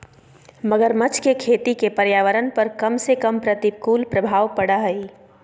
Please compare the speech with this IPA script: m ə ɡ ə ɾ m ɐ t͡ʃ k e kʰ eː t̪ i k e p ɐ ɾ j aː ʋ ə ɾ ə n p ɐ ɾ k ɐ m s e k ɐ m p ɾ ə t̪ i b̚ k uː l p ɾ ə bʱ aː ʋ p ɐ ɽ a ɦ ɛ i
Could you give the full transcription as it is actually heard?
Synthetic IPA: m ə ɡ ə ɾ m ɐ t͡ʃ k e kʰ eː t̪ i k e p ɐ ɾ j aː ʋ ə ɾ ə n p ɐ ɾ k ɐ m s e k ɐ m p ɾ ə t̪ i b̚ k uː l p ɾ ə bʱ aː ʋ p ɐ ɽ a ɦ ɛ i